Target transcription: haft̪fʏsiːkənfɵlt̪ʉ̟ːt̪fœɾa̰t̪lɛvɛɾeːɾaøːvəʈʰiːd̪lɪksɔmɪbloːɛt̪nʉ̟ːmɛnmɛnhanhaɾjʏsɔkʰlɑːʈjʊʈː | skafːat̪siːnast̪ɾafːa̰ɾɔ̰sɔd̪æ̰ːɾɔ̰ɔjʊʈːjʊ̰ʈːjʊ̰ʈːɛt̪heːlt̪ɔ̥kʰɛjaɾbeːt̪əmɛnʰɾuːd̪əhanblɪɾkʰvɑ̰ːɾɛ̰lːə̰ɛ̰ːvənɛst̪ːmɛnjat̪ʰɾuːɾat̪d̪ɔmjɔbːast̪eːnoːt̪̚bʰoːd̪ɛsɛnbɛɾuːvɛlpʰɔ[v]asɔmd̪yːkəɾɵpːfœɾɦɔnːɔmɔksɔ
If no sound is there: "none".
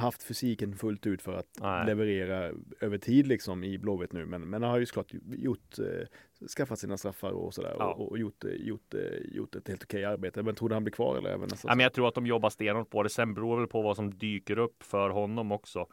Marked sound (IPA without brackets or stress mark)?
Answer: v